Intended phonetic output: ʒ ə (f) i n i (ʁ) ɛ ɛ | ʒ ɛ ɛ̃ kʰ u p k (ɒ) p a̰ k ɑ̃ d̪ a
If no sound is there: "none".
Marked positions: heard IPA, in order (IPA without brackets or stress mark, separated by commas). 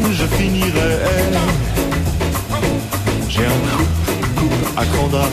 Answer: f, ʁ, u